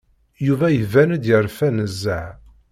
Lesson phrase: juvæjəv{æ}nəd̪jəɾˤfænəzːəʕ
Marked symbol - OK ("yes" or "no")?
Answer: yes